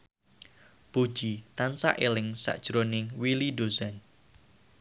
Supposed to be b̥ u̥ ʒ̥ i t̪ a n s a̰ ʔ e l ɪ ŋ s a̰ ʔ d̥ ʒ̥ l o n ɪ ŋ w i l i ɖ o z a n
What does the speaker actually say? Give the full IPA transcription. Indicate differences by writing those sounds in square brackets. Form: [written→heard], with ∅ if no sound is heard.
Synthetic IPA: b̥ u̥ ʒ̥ i t̪ a n s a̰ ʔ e l ɪ ŋ s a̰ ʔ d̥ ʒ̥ [l→ɾ] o n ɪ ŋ w i l i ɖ o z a n